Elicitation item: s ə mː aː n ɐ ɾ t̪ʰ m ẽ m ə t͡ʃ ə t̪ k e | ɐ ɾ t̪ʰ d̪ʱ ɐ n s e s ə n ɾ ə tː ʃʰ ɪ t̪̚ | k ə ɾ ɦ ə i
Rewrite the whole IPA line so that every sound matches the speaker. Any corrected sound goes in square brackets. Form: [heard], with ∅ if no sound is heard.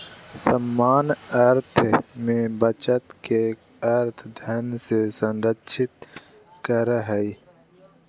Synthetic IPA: s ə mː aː n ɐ ɾ t̪ʰ m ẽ [b] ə t͡ʃ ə t̪ k e | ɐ ɾ t̪ʰ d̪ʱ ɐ n s e s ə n ɾ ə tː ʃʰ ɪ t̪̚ | k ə ɾ ɦ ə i